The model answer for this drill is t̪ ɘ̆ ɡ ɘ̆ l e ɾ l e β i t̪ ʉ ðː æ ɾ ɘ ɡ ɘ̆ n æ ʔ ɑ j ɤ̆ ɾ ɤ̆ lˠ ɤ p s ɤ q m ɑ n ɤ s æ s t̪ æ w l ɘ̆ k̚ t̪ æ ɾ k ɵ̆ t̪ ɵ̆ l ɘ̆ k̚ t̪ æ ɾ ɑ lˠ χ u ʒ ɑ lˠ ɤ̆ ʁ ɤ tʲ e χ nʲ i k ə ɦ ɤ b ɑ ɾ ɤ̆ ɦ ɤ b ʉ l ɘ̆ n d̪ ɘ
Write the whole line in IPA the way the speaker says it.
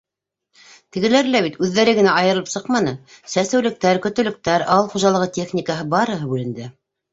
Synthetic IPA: t̪ ɘ̆ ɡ ɘ̆ l æ ɾ l æ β i t̪ ʉ ðː æ ɾ ɘ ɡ ɘ̆ n æ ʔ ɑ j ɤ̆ ɾ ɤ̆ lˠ ɤ p s ɤ q m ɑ n ɤ s æ s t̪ æ w l ɘ̆ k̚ t̪ æ ɾ k ɵ̆ t̪ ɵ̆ l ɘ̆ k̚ t̪ æ ɾ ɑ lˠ χ u ʒ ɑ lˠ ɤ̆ ʁ ɤ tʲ e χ nʲ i k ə ɦ ɤ b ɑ ɾ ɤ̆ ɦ ɤ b ʉ l ɘ̆ n d̪ ɘ